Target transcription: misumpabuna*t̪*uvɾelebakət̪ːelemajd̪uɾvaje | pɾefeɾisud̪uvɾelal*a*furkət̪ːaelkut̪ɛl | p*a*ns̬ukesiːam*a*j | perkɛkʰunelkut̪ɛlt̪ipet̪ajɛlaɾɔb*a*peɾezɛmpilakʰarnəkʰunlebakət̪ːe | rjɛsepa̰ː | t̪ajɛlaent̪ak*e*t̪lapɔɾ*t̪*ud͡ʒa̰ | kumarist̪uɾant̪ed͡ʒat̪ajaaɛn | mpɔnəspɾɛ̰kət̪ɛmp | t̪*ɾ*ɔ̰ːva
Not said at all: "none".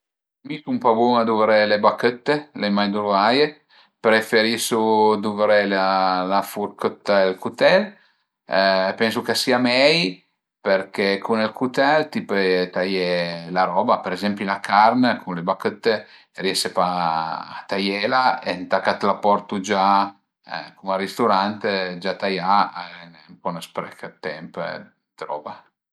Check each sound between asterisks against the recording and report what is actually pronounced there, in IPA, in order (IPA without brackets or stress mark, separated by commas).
d̪, a, ɛ, ɛ, a, a, t̪, ɾ